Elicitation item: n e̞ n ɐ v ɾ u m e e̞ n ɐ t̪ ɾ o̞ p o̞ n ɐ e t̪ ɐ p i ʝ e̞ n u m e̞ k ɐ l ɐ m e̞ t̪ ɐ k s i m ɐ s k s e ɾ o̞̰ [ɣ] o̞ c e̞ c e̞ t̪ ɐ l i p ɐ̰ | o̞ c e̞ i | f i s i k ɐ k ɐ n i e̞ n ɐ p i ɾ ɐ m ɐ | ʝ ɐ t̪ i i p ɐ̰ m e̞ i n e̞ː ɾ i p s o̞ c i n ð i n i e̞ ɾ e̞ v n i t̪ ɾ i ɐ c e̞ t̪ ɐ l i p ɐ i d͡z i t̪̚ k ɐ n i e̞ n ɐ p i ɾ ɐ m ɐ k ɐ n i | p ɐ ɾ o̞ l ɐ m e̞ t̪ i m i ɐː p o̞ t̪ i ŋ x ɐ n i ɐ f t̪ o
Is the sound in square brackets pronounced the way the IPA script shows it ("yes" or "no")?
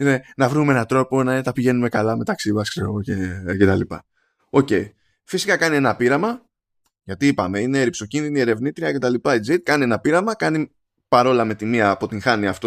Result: yes